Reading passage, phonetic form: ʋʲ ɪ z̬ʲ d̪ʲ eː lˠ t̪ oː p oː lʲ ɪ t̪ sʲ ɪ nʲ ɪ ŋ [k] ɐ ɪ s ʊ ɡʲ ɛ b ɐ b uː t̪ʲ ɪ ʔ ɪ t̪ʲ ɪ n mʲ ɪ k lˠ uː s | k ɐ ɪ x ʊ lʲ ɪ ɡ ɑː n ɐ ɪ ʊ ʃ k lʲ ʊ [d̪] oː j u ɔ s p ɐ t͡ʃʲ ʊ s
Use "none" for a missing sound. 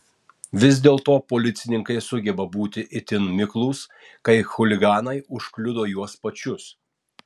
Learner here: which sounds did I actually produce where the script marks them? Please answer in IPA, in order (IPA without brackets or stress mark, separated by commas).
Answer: k, d̪